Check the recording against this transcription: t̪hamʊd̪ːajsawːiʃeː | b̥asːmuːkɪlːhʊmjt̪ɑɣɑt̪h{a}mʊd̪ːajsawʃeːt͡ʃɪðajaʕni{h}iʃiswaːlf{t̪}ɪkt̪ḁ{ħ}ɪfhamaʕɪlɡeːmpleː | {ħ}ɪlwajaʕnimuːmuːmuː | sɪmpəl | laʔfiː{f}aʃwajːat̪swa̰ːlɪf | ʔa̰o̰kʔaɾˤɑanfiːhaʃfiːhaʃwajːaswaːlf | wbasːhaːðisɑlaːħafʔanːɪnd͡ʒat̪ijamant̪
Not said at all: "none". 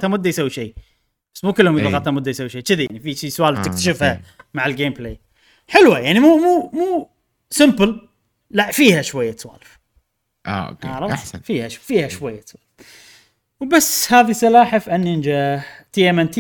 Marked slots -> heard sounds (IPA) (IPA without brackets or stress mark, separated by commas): a, f, t̪, ʃ, ħ, h